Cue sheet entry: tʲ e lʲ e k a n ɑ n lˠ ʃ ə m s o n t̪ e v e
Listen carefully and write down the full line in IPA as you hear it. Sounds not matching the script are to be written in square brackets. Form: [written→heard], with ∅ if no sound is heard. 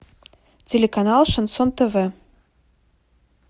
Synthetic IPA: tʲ e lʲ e k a n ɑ [n→∅] lˠ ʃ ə [m→n] s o n t̪ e v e